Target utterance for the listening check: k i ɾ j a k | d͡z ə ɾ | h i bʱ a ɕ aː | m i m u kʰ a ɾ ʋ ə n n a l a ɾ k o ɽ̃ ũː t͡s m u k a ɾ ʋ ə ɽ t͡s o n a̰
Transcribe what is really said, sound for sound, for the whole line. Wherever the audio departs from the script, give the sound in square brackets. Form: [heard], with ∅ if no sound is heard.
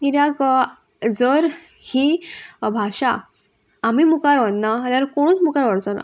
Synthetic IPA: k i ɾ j a k | d͡z ə ɾ | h i bʱ a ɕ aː | m i m u [k] a ɾ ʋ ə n n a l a ɾ k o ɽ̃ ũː t͡s m u k a ɾ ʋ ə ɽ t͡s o n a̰